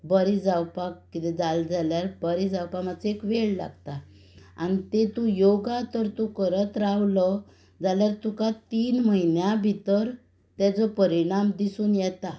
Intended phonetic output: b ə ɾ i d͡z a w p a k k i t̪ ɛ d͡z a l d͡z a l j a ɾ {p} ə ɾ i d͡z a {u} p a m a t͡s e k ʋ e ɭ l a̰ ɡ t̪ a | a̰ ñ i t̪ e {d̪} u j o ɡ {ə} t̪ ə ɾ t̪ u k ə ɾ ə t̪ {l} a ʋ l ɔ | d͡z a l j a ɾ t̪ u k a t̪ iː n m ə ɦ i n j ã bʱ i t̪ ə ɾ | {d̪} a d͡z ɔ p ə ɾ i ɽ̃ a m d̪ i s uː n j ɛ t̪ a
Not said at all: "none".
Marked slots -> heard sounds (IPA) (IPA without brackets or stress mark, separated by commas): b, w, t̪, a, ɾ, t̪